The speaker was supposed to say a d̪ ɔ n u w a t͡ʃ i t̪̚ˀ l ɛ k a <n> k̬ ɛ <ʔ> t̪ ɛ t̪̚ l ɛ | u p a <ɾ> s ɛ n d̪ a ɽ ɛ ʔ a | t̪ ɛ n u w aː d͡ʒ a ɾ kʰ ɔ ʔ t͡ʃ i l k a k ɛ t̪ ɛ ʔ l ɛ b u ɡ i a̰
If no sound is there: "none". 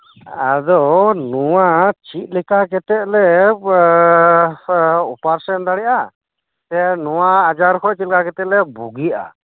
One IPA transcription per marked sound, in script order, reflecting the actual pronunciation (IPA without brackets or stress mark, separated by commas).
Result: none, none, ɾ